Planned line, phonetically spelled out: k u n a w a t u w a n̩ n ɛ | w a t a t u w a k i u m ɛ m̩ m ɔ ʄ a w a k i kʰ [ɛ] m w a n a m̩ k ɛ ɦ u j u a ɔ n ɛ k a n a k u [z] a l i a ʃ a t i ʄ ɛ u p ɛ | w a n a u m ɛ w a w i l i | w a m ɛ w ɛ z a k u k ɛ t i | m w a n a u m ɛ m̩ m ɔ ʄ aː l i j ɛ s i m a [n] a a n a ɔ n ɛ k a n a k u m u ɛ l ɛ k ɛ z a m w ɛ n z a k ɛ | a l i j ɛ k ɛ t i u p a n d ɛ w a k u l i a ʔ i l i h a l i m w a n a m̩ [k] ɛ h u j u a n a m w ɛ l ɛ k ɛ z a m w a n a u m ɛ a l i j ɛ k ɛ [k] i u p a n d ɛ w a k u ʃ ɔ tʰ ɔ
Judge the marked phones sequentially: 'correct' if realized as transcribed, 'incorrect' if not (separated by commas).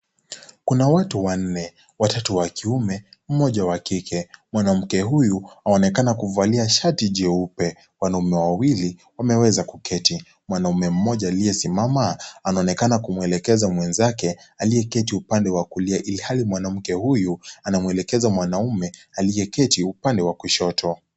correct, incorrect, incorrect, correct, incorrect